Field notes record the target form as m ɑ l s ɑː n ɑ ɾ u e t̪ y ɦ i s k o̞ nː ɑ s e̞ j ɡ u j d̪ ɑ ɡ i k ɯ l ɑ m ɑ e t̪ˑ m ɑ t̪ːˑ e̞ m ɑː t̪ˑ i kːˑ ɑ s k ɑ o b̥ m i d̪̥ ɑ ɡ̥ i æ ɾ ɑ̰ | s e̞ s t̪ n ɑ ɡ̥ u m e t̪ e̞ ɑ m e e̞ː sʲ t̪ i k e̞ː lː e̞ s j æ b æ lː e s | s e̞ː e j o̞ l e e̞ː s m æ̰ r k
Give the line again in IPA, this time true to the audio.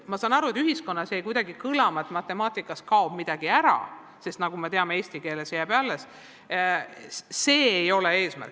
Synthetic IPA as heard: m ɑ s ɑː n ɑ ɾ u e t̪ y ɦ i s k o̞ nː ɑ s e̞ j k u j d̪ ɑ ɡ i k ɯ l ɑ m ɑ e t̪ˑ m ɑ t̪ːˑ e̞ m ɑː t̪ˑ i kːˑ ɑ s k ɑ o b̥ m i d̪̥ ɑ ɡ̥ i æ ɾ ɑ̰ | s e̞ s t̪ n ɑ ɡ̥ u m e t̪ e̞ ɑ m e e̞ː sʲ t̪ i k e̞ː l e̞ s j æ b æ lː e s | s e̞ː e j o̞ l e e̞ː s m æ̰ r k